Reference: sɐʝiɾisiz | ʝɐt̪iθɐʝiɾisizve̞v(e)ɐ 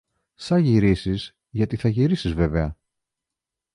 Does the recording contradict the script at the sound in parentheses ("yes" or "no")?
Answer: no